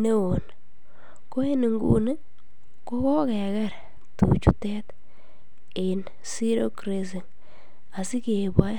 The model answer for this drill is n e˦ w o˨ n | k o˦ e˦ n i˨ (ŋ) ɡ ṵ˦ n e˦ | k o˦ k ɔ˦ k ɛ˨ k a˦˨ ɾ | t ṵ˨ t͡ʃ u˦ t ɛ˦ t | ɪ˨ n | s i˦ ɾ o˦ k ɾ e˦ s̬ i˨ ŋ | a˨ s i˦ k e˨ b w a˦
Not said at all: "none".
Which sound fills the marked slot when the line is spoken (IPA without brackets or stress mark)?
ŋ